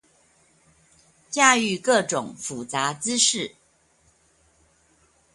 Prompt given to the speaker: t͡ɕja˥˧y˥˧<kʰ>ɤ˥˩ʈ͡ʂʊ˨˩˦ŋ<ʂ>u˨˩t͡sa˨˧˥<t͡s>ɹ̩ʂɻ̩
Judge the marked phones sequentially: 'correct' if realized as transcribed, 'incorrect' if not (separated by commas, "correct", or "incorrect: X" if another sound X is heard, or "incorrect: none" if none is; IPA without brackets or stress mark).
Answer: incorrect: k, incorrect: f, correct